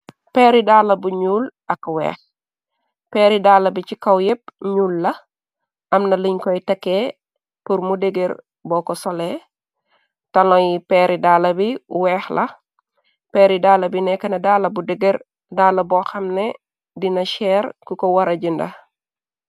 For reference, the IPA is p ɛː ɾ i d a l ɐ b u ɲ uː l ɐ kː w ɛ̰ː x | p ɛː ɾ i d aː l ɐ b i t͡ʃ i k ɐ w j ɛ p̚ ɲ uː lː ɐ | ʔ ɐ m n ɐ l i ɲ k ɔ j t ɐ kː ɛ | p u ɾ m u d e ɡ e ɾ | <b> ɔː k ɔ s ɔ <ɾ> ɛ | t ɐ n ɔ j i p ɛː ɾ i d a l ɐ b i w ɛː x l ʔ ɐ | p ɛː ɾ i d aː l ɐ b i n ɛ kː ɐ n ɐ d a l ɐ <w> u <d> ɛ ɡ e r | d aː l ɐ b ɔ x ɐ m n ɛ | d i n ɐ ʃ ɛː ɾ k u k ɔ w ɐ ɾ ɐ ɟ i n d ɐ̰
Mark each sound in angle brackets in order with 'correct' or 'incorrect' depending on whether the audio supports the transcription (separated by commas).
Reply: correct, incorrect, incorrect, correct